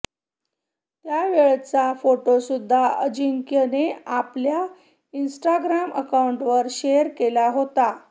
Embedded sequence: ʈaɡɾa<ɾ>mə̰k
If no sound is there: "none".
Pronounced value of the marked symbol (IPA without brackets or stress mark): none